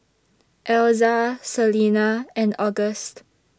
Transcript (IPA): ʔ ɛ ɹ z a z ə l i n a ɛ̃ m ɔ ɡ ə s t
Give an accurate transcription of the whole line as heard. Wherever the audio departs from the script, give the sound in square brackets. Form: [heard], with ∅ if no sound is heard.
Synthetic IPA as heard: ʔ ɛ [l] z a [s] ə l i n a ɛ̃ [n] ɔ ɡ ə s t